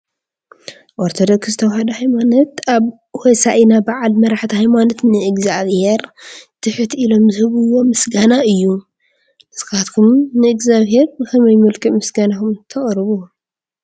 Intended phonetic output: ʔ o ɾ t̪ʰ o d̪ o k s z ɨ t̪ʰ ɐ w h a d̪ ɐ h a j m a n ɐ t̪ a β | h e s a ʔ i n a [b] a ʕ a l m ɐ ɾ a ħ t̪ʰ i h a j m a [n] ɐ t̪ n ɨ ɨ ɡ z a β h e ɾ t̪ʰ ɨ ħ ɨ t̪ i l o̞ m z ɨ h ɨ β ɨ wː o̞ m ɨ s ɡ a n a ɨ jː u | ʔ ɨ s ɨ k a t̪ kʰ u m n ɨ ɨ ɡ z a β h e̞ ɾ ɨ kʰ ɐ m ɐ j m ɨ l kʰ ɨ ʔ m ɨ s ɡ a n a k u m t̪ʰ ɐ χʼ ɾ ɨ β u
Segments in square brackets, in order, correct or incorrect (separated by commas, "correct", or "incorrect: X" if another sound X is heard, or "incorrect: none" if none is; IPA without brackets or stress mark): correct, correct